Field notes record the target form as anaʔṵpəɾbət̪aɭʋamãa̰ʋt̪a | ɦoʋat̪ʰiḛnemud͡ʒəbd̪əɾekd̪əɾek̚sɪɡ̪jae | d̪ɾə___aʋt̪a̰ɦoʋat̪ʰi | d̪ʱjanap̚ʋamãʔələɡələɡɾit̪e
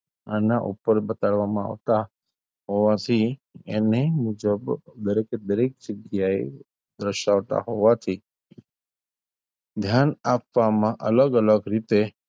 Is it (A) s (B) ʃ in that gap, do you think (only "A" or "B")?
B